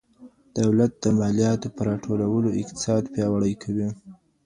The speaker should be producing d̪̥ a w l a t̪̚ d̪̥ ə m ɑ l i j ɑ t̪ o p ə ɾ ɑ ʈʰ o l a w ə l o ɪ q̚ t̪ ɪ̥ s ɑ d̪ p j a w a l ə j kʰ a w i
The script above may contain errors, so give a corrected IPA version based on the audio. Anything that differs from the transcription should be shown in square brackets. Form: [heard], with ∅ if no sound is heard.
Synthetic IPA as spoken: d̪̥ a w l a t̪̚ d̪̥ ə m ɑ l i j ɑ t̪ o p ə ɾ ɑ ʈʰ o l a w ə l o ɪ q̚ t̪ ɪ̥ s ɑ d̪ p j [ɑ] w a [ɽ] ə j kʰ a w i